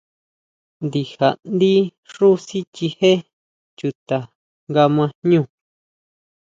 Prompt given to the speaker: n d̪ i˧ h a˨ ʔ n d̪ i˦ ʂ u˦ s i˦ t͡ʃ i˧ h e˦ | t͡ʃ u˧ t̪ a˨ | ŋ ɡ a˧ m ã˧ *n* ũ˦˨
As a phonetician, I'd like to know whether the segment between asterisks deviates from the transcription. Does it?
yes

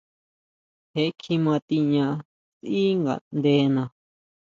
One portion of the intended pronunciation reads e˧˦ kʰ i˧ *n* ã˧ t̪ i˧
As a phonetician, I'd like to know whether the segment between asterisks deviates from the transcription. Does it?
yes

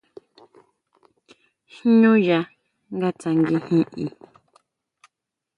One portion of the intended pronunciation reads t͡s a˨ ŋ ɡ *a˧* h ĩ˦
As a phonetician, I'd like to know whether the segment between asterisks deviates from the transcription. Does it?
yes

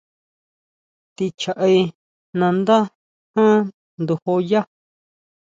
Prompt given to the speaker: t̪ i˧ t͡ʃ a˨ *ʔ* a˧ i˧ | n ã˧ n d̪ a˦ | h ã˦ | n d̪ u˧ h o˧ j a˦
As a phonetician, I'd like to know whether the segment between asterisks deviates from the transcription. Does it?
no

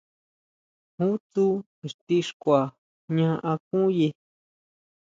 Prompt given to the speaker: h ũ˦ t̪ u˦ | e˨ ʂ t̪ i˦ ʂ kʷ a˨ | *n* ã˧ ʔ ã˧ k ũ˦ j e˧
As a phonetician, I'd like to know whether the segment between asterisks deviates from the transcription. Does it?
yes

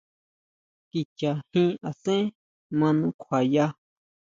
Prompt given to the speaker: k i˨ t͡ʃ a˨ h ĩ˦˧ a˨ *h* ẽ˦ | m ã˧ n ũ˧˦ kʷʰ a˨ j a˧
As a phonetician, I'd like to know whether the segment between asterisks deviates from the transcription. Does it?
yes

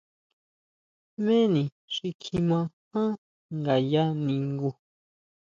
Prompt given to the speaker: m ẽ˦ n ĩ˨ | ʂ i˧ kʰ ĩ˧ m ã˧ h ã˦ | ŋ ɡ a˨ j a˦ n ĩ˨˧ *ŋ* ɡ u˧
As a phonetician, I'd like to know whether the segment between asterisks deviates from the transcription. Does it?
no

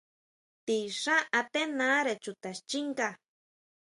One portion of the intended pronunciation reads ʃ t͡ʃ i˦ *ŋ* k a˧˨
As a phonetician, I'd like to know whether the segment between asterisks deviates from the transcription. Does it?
no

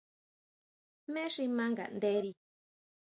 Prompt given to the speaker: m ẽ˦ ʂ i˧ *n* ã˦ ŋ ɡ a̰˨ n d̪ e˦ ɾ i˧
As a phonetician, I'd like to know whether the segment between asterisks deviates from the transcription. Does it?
yes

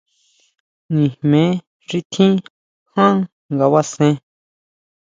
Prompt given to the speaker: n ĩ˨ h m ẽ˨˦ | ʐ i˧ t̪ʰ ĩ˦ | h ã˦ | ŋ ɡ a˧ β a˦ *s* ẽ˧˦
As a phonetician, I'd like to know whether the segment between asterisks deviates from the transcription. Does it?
no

